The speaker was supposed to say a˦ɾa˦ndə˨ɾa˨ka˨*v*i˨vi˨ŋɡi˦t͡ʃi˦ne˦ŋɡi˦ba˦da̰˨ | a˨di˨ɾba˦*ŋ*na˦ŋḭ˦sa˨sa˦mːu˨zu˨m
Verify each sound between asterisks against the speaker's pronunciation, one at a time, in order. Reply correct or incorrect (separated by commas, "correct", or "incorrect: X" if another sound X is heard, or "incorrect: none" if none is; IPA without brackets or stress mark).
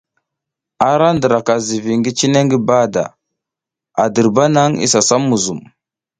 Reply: incorrect: z, incorrect: none